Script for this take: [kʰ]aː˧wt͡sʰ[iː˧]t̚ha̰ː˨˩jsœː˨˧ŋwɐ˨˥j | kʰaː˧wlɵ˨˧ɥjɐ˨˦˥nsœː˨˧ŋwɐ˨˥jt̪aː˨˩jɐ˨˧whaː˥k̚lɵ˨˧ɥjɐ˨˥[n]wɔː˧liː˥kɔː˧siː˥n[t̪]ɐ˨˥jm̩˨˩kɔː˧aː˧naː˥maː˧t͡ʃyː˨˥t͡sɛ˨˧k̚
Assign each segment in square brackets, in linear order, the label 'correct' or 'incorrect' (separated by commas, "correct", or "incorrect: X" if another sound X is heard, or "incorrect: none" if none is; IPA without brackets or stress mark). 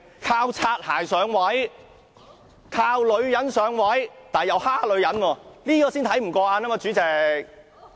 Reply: correct, incorrect: aː˧, correct, incorrect: t̪ʰ